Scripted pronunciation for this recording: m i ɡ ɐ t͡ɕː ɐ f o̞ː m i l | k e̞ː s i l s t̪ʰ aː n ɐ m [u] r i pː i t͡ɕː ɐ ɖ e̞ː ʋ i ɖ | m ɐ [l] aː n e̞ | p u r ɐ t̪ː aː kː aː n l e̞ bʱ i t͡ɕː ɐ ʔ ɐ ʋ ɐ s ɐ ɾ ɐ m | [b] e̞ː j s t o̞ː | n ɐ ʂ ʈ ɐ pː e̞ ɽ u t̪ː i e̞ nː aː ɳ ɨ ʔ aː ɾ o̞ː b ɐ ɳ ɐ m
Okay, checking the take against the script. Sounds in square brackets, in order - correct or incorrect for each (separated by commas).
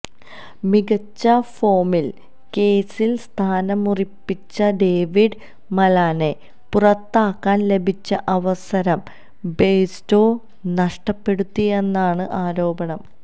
correct, correct, correct